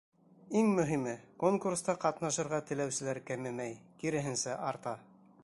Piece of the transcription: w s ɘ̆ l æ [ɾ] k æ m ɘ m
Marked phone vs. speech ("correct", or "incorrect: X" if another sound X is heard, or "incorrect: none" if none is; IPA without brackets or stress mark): correct